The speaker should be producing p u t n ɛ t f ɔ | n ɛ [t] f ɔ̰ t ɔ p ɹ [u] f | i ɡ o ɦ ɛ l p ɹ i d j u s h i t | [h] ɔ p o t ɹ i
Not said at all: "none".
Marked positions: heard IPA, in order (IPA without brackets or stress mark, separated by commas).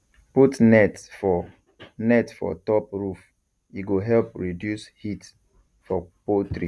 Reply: t, u, f